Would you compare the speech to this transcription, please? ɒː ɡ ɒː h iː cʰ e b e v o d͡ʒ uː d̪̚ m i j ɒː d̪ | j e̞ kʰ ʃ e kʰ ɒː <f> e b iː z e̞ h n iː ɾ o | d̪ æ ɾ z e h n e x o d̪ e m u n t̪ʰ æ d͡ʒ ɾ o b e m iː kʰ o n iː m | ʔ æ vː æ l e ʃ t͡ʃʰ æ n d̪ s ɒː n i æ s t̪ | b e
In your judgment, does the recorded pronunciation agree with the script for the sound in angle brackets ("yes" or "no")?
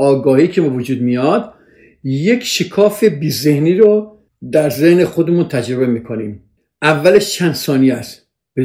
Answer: yes